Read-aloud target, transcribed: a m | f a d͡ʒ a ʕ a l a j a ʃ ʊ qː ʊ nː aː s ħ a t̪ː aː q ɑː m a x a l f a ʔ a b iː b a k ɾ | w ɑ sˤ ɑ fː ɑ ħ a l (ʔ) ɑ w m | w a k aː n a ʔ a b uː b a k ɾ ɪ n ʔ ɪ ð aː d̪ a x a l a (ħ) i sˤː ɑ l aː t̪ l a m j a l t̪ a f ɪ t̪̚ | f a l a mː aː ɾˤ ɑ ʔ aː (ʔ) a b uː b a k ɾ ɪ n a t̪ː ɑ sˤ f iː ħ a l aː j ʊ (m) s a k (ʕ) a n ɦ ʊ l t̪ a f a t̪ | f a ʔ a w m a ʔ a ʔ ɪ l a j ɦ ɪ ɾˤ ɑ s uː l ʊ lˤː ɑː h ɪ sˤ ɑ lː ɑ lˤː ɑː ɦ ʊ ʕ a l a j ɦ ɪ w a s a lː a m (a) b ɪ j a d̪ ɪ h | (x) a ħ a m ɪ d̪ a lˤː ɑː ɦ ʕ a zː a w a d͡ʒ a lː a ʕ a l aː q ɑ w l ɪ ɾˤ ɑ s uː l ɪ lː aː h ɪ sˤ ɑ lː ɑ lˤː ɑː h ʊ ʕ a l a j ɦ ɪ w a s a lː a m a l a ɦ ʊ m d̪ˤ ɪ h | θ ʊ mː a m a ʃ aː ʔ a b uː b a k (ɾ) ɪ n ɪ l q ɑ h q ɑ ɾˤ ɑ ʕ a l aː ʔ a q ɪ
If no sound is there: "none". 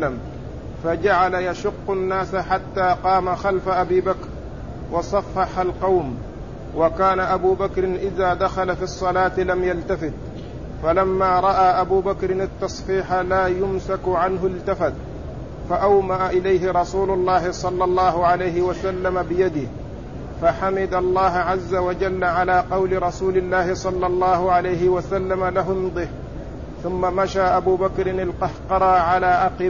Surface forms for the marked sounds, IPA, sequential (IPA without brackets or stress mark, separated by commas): q, f, ʔ, m, ʕ, a, f, ɾ